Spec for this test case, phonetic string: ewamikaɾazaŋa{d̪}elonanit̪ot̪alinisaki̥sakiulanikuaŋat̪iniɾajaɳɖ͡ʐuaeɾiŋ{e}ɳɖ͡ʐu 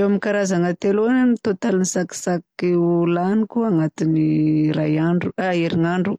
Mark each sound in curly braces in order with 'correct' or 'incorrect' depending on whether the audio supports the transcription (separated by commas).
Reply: incorrect, incorrect